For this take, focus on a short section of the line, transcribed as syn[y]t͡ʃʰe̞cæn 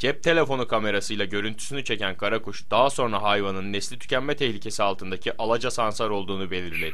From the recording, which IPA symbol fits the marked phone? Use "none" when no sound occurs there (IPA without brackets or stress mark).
y